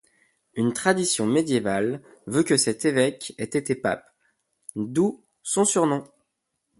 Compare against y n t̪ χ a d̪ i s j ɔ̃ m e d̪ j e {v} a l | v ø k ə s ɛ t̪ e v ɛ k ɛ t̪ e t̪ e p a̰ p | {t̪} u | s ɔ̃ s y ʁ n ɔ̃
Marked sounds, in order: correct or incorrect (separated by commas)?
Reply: correct, incorrect